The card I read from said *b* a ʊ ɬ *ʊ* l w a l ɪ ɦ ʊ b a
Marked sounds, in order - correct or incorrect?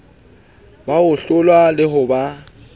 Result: correct, correct

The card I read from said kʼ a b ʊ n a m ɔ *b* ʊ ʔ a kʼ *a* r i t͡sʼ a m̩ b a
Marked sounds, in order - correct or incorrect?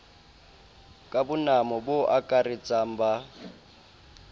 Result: correct, correct

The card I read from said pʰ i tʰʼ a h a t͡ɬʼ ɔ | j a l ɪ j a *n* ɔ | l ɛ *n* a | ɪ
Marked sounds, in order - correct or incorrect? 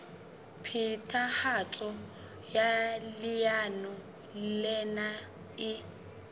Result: correct, correct

